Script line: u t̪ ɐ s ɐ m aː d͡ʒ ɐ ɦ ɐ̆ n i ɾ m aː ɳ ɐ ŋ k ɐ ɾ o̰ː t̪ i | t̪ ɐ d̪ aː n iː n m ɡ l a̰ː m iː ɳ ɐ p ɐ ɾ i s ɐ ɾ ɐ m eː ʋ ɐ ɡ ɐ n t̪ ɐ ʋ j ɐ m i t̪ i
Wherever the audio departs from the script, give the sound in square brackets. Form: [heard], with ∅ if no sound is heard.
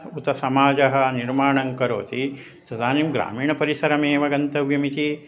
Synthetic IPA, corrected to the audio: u t̪ ɐ s ɐ m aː d͡ʒ ɐ ɦ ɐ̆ n i ɾ m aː ɳ ɐ ŋ k ɐ ɾ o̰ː t̪ i | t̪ ɐ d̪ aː n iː [∅] m ɡ [ɾ] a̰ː m iː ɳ ɐ p ɐ ɾ i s ɐ ɾ ɐ m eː ʋ ɐ ɡ ɐ n t̪ ɐ ʋ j ɐ m i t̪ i